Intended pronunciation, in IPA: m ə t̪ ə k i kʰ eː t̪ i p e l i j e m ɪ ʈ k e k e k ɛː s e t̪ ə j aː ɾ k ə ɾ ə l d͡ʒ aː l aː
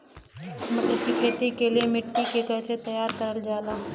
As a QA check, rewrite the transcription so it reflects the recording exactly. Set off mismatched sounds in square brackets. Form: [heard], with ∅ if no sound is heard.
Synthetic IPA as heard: m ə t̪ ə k i kʰ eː t̪ i [k] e l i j e m ɪ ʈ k [i] k e k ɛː s e t̪ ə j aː ɾ k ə ɾ ə l d͡ʒ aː l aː